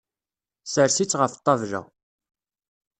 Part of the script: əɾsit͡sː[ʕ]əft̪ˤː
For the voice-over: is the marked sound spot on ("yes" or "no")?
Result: no